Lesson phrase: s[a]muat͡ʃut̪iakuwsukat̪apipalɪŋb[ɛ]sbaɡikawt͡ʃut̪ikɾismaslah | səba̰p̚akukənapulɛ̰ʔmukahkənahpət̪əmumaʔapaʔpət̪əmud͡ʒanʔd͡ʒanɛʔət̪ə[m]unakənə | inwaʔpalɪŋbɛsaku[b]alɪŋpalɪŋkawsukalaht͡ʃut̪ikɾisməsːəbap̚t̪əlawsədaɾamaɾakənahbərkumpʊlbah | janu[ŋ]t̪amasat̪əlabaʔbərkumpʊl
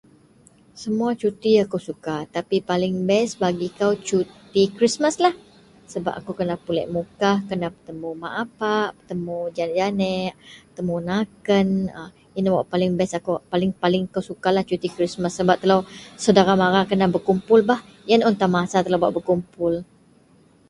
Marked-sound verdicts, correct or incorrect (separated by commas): incorrect, correct, correct, incorrect, incorrect